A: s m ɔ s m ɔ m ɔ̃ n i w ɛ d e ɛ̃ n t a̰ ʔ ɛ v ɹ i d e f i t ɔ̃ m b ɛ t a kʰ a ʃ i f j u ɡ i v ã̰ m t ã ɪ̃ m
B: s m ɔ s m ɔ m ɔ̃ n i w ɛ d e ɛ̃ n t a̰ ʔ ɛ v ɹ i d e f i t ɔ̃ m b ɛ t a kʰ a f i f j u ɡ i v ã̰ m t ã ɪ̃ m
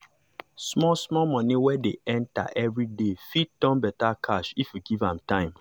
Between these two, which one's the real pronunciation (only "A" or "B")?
A